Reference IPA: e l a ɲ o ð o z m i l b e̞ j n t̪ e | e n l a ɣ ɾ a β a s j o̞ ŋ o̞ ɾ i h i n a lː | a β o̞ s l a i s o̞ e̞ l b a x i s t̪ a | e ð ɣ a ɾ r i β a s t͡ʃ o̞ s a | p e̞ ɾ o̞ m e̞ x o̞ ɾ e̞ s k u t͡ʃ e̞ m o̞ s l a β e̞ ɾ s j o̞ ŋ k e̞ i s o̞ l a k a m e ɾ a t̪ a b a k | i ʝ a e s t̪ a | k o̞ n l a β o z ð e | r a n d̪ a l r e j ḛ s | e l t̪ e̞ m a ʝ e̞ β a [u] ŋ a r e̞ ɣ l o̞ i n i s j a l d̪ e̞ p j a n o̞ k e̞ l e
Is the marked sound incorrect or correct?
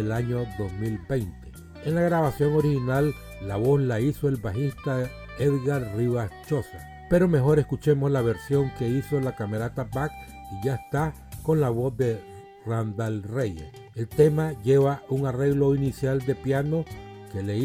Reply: correct